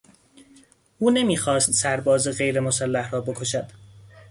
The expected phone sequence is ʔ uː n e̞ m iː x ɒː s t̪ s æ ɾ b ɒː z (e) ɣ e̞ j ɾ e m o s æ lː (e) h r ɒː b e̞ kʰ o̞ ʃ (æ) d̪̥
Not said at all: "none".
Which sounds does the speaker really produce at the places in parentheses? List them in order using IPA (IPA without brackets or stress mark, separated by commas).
e, æ, æ